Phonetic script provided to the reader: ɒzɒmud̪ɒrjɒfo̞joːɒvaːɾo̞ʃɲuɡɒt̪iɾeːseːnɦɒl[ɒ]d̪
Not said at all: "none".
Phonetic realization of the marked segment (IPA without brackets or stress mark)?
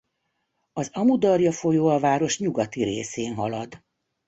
ɒ